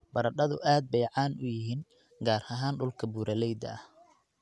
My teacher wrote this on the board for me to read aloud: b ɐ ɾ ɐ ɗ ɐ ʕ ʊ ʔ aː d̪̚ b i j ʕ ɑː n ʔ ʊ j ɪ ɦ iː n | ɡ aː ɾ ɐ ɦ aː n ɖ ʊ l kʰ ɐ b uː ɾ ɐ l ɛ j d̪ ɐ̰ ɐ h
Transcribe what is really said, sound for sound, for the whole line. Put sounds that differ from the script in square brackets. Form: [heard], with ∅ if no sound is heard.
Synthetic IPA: b ɐ ɾ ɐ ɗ ɐ [ð] ʊ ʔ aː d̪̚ b [ɛ] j ʕ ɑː n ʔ ʊ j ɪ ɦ iː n | ɡ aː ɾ ɐ ɦ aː n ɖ ʊ l kʰ ɐ b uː ɾ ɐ l ɛ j d̪ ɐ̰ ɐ h